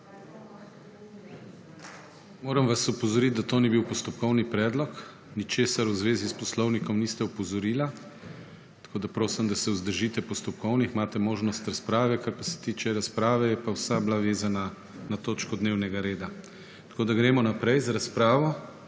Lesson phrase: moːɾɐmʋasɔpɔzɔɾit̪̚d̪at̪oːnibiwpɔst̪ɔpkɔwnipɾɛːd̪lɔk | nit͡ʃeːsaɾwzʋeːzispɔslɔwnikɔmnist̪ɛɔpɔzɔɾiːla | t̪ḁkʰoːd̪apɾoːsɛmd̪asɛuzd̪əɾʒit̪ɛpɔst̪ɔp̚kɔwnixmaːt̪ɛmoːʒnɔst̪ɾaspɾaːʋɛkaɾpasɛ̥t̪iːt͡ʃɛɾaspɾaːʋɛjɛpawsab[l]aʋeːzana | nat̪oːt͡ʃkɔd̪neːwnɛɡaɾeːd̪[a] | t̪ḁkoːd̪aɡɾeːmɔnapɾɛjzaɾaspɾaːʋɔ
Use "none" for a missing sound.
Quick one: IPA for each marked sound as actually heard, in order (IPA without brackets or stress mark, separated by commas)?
l, a